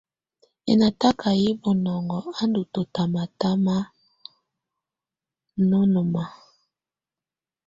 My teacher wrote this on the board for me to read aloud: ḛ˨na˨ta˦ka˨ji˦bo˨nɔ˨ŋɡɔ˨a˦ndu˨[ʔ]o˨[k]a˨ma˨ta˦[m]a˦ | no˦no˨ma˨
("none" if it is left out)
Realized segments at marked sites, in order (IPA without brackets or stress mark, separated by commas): t, t, m